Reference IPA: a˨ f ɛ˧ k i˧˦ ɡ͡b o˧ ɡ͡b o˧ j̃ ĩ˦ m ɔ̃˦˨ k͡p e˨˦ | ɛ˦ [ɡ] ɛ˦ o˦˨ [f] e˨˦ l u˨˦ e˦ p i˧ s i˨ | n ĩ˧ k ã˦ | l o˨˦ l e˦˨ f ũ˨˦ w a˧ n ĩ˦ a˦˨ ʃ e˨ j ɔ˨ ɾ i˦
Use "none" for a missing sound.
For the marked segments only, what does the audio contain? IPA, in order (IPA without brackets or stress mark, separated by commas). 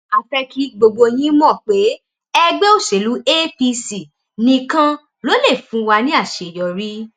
ɡ͡b, ʃ